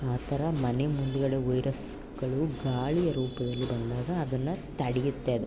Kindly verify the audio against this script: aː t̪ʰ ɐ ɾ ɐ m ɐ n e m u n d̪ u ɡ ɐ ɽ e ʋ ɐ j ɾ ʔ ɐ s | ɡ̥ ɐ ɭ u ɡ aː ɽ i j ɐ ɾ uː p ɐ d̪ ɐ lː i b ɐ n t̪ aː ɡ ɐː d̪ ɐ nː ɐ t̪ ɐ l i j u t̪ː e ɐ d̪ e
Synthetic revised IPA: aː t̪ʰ ɐ ɾ ɐ m ɐ n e m u n d̪ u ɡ ɐ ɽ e ʋ ɐ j ɾ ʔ ɐ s | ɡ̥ ɐ ɭ u ɡ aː ɭ i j ɐ ɾ uː p ɐ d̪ ɐ lː i b ɐ n d̪ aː ɡ ɐː d̪ ɐ nː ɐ t̪ ɐ ɽ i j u t̪ː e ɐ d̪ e